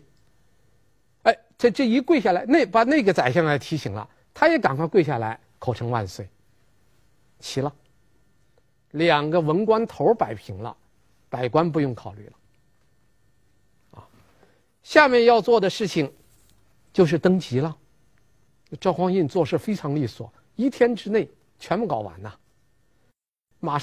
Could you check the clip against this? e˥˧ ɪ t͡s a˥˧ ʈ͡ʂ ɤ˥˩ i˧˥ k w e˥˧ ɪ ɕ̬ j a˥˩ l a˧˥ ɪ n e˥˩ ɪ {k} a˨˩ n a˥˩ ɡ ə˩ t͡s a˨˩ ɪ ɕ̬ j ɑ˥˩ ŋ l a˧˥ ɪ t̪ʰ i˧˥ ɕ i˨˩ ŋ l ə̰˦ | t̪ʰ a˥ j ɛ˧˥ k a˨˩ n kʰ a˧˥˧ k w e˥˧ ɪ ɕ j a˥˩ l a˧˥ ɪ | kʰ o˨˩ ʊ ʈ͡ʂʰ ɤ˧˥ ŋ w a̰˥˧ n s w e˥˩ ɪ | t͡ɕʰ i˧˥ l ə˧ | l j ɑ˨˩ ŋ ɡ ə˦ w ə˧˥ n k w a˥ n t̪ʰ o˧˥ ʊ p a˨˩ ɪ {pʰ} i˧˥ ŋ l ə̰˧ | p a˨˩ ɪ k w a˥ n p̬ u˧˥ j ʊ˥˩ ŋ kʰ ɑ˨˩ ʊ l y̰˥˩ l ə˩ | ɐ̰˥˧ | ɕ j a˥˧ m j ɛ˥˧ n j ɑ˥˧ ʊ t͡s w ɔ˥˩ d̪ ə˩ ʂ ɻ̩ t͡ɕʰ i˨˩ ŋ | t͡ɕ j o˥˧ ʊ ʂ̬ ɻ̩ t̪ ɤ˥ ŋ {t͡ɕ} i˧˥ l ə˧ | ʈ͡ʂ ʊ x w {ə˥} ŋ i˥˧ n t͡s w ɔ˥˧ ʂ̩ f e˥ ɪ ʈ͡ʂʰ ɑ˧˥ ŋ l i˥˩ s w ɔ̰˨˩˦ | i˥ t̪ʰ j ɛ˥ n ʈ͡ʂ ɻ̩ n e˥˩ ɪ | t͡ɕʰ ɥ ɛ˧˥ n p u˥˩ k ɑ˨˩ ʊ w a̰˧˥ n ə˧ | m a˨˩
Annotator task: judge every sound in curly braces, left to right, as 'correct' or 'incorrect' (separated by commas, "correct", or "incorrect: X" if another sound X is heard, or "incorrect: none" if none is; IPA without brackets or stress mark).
incorrect: p, correct, correct, incorrect: ɑ˥